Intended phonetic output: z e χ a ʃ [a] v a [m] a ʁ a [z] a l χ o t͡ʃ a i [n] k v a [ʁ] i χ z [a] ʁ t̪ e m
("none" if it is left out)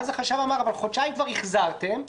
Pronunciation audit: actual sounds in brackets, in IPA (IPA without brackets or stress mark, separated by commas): a, m, v, m, ʁ, a